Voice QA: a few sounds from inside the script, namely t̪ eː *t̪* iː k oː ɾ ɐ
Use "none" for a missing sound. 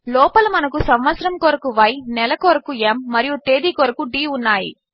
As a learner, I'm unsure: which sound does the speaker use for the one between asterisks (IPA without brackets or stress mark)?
d̪